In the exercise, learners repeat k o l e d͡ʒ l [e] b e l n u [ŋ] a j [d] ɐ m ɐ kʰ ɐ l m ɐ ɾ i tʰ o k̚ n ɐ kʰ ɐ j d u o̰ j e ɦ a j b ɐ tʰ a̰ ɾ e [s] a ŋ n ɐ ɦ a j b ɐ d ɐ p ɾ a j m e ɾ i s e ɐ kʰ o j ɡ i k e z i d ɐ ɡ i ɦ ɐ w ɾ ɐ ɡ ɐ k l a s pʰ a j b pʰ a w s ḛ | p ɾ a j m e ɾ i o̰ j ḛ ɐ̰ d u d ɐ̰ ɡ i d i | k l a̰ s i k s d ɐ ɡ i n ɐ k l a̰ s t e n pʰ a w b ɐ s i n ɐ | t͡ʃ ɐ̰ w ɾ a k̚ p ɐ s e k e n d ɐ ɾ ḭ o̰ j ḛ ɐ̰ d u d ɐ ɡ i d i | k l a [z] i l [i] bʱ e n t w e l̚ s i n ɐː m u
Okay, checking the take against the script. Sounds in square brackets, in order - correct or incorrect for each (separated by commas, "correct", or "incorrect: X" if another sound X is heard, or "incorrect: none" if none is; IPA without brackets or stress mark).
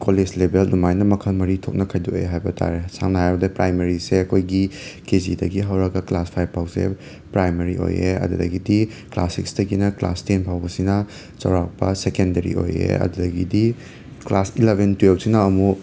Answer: correct, incorrect: m, incorrect: n, correct, incorrect: s, incorrect: e